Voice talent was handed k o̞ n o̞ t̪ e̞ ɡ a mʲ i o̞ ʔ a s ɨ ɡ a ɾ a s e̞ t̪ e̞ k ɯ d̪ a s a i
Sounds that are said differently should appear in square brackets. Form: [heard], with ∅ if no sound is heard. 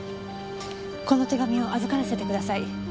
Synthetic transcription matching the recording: k o̞ n o̞ t̪ e̞ ɡ a mʲ i o̞ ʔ a [z] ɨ [k] a ɾ a s e̞ t̪ e̞ k ɯ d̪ a s a i